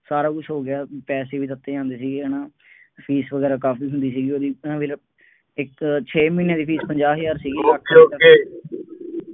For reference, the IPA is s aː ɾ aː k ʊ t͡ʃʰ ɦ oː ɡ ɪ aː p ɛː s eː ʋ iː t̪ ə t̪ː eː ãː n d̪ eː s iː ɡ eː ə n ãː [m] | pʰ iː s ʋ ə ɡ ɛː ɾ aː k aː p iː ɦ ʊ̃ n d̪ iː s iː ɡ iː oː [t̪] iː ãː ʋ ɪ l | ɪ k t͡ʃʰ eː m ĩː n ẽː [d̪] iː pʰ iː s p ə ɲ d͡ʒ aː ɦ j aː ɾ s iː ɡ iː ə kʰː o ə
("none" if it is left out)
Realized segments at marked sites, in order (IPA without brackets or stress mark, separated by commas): none, d̪, d̪